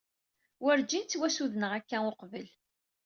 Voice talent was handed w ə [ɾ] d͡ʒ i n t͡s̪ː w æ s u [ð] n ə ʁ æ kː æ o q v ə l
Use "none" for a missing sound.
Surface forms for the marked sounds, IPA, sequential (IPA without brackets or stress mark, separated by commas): ɾ, ð